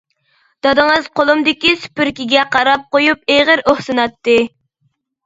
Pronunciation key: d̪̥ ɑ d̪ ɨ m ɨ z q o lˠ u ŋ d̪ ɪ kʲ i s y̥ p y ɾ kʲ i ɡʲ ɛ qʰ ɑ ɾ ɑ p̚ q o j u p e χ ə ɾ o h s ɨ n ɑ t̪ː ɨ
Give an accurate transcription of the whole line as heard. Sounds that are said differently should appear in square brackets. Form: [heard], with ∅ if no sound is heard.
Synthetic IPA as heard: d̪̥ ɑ d̪ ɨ [ŋ] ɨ z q o lˠ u [m] d̪ ɪ kʲ i s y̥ p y ɾ kʲ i ɡʲ ɛ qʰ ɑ ɾ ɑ p̚ q o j u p e [ʁ] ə ɾ o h s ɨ n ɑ t̪ː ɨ